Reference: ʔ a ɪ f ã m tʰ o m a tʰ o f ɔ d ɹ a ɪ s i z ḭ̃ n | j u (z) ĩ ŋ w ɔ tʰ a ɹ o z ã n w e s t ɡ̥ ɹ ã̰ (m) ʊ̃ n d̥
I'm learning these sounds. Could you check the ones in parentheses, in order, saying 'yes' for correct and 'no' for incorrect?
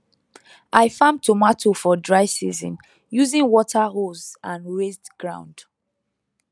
yes, no

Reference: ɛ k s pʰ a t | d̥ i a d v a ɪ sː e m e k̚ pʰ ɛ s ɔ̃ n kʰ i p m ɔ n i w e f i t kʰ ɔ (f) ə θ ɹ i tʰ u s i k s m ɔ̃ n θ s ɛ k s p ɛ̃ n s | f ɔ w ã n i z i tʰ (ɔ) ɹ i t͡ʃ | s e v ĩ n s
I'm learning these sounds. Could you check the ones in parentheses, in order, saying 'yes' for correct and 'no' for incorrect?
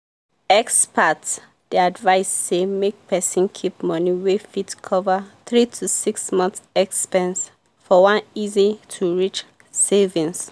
no, no

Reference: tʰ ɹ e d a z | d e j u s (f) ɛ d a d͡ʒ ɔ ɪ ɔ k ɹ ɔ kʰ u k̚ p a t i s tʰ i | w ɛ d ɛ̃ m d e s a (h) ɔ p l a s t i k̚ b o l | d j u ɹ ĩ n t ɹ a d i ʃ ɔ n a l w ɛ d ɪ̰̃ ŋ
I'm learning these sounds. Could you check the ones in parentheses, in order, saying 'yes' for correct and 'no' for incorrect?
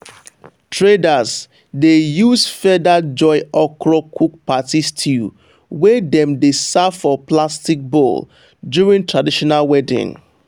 yes, no

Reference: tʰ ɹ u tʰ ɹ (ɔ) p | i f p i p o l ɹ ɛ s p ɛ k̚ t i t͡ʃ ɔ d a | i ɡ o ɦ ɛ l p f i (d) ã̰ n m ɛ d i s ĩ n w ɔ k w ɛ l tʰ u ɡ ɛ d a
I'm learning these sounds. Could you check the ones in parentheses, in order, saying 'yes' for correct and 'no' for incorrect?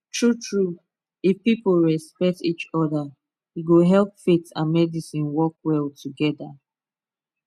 no, no

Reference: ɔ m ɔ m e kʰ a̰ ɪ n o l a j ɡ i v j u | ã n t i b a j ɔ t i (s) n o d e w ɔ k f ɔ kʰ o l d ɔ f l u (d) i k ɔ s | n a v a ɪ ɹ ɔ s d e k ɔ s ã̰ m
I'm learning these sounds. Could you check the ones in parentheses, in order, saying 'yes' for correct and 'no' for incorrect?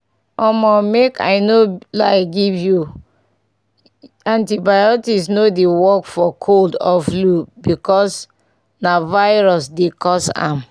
yes, no

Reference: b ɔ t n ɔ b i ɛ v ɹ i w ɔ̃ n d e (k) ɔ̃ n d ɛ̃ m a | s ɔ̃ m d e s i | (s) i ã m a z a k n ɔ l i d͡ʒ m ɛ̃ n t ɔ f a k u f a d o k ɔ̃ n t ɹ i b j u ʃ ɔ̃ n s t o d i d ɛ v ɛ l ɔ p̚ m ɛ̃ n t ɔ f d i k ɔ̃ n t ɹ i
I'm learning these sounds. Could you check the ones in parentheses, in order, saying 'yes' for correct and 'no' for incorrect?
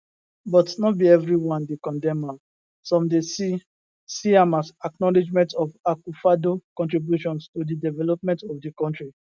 yes, yes

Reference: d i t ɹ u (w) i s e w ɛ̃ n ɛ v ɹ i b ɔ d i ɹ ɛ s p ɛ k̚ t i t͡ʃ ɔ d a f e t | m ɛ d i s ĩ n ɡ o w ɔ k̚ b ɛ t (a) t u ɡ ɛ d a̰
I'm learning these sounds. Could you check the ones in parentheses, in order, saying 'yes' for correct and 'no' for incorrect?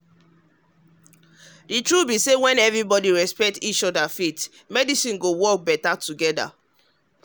no, yes

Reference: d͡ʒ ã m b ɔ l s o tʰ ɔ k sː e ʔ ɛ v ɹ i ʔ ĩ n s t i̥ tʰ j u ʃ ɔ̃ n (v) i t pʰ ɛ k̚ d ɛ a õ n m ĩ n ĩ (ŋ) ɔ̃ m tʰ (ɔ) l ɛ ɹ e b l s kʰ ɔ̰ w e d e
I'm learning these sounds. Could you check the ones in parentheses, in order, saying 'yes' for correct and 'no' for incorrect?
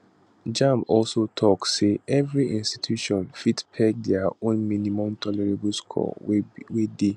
no, no, yes

